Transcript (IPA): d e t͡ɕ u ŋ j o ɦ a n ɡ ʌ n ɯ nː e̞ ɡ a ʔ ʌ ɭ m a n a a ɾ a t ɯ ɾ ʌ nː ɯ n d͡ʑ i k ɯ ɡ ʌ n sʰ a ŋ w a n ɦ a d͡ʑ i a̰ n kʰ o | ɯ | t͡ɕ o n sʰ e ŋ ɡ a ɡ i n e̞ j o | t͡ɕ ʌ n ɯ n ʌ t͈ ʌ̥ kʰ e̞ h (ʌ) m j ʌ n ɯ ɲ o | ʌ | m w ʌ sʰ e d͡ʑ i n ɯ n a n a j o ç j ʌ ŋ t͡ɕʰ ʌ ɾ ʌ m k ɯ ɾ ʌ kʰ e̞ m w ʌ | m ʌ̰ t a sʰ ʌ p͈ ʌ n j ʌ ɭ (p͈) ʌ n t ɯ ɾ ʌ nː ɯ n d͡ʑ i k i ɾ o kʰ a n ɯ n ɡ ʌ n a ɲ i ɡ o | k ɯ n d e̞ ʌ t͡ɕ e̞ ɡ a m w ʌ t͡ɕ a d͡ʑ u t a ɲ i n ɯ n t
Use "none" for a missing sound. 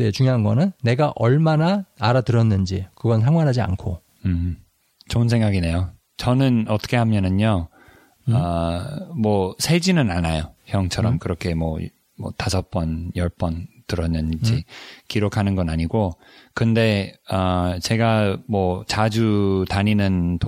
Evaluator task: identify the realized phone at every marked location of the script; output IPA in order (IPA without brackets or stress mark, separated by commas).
a, p͈